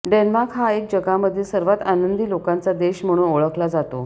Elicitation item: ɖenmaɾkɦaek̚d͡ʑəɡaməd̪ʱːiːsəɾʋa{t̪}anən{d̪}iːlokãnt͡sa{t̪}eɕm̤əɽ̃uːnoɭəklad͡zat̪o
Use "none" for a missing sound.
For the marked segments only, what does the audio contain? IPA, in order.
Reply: t̪, d̪, d̪

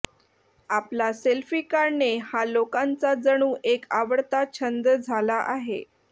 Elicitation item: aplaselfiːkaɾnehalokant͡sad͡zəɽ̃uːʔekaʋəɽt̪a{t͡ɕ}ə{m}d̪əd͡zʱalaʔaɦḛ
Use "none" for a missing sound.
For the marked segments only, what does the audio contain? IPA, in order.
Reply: t͡ɕʰ, n

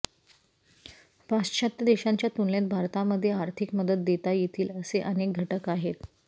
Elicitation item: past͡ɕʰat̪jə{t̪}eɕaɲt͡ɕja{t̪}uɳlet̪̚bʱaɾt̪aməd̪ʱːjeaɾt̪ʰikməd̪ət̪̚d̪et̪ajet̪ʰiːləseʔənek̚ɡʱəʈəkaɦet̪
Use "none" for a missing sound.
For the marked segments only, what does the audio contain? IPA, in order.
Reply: d̪, t̪

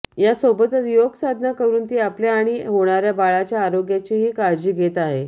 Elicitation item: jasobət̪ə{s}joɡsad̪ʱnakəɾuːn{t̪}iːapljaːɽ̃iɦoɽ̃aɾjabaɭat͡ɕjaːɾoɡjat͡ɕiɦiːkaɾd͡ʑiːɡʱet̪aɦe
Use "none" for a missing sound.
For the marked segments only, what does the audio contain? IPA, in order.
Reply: t͡s, t̪

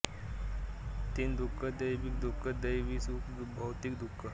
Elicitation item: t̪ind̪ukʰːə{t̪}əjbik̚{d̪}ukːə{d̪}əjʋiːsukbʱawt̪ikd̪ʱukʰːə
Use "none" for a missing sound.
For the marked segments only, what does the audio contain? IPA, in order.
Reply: d̪, d̪, d̪

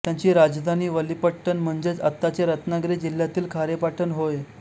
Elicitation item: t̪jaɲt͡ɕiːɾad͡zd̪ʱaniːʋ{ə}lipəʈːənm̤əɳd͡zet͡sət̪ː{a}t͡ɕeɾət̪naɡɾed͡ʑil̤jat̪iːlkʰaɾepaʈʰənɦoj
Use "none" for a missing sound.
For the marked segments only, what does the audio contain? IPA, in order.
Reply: ə, a

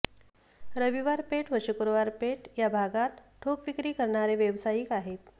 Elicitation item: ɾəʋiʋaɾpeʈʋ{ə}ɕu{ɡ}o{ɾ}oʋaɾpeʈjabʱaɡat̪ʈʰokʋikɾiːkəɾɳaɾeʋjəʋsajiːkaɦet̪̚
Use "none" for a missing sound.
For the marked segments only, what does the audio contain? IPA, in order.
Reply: ə, k, ɾ

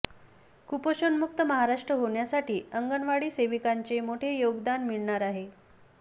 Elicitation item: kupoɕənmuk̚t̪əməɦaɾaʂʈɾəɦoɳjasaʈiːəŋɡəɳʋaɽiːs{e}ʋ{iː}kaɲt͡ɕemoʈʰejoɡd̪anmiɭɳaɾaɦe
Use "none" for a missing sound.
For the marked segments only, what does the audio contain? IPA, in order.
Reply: e, i

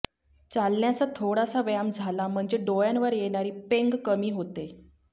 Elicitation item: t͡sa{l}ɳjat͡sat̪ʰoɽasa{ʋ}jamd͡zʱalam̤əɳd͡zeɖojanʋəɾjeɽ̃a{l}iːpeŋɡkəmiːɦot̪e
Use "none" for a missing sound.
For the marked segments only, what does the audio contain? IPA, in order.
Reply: l, ʋ, ɾ

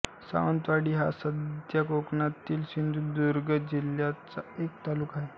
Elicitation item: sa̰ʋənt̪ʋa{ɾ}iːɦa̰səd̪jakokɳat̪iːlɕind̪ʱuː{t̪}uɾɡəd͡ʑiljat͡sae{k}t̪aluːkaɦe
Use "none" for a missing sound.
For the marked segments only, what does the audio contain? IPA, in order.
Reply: ɽ, d̪, k

